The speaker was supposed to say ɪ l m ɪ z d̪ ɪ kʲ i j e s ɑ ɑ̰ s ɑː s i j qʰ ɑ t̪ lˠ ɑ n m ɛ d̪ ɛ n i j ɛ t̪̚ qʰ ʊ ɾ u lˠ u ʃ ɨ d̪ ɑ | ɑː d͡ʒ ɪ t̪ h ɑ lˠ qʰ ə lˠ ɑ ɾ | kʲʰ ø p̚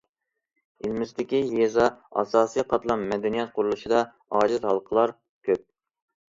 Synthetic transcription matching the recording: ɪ l m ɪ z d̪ ɪ kʲ i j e z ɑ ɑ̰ s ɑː s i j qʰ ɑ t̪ lˠ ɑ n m ɛ d̪ ɛ n i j ɛ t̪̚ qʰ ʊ ɾ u lˠ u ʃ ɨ d̪ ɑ | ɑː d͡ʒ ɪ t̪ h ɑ lˠ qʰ ə lˠ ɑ ɾ | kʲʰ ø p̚